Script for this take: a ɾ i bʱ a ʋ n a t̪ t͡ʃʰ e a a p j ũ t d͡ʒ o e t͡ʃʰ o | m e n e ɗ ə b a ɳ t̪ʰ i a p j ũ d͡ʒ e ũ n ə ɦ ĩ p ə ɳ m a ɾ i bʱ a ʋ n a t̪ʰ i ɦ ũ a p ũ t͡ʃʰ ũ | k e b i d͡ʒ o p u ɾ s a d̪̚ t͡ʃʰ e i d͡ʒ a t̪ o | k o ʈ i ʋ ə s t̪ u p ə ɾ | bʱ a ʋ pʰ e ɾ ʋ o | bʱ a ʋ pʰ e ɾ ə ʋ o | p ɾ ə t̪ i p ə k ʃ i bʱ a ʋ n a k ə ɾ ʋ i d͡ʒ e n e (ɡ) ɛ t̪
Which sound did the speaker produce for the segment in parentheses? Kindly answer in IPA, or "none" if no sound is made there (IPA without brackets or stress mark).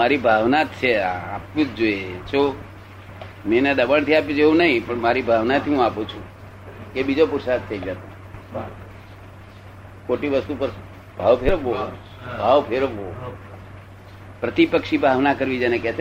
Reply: k